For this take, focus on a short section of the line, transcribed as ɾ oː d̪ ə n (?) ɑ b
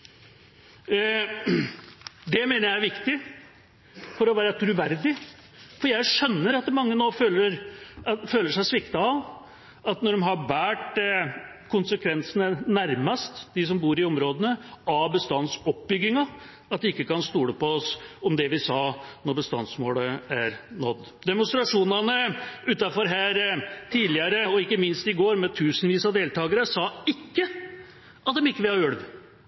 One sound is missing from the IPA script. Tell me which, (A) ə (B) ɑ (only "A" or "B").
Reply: A